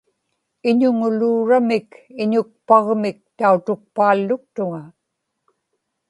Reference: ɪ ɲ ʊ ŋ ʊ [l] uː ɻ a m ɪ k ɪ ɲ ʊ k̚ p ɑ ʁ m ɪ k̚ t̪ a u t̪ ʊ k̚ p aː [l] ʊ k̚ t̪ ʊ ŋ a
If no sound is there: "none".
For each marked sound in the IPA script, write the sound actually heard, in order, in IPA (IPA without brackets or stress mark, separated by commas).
l, lː